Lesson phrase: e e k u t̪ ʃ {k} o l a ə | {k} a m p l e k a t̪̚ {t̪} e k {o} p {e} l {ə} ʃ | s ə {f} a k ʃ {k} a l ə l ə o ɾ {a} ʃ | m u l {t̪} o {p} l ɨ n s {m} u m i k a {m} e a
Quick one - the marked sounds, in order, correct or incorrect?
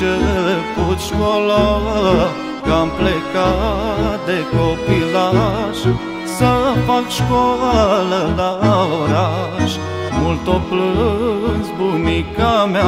correct, correct, incorrect: d̪, correct, incorrect: i, incorrect: a, correct, correct, correct, correct, correct, incorrect: b, correct

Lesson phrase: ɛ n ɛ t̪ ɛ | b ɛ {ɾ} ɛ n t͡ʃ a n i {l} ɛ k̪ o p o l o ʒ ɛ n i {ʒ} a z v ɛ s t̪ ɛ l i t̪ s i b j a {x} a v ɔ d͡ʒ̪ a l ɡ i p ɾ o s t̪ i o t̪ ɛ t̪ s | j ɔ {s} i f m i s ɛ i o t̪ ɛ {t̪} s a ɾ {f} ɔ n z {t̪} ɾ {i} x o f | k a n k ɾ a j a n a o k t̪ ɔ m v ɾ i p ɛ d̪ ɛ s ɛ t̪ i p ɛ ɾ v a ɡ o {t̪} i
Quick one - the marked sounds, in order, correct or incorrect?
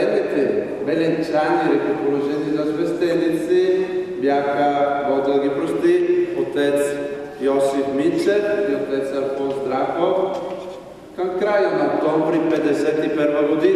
incorrect: l, incorrect: ɾ, incorrect: z, correct, correct, correct, correct, incorrect: d̪, incorrect: a, incorrect: d̪

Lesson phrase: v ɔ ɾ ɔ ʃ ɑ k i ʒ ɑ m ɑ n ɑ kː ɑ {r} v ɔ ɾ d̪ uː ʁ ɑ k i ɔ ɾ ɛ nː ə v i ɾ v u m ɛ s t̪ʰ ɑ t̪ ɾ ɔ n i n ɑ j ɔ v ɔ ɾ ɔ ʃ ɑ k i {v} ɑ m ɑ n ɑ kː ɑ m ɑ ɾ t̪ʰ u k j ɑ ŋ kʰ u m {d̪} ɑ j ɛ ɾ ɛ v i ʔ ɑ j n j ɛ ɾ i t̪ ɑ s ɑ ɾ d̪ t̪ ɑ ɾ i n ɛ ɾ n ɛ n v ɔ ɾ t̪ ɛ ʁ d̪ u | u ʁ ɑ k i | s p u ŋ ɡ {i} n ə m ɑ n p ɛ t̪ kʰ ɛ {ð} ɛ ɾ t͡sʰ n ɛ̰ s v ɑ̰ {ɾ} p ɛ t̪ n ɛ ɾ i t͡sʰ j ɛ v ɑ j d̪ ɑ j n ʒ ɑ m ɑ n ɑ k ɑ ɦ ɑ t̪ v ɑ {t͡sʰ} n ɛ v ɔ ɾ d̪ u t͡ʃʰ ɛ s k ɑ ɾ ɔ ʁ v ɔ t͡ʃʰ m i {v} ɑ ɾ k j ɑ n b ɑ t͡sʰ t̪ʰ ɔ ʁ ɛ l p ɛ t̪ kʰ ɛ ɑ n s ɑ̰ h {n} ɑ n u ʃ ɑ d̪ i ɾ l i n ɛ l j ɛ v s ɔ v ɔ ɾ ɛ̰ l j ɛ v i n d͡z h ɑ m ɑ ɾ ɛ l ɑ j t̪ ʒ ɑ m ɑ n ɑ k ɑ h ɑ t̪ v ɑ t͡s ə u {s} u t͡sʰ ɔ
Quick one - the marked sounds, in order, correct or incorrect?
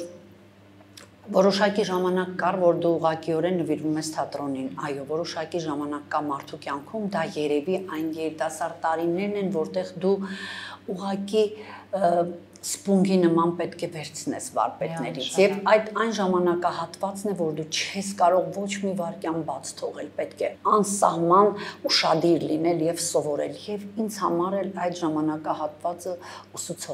correct, incorrect: ʒ, correct, correct, incorrect: v, correct, incorrect: t͡s, correct, incorrect: m, correct

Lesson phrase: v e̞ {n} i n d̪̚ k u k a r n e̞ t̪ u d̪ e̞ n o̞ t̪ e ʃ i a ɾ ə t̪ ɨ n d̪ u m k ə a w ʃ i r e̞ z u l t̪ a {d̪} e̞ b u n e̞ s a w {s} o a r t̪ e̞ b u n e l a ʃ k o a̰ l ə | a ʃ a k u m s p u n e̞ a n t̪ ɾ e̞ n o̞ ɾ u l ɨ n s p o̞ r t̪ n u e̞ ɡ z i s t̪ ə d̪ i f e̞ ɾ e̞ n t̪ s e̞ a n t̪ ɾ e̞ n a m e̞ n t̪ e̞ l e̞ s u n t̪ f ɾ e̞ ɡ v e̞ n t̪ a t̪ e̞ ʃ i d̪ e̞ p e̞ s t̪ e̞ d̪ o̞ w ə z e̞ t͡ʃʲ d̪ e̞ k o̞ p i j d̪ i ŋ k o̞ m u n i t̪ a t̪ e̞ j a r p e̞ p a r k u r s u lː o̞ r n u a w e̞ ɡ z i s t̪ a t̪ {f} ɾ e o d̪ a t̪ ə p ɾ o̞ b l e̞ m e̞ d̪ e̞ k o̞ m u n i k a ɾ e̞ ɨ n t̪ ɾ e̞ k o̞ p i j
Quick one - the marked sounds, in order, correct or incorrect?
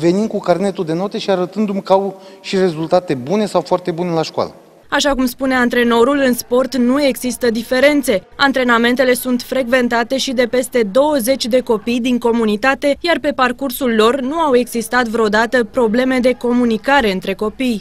correct, incorrect: t̪, incorrect: f, incorrect: v

